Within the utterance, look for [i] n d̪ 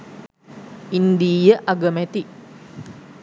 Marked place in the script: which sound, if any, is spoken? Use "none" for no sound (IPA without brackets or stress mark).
i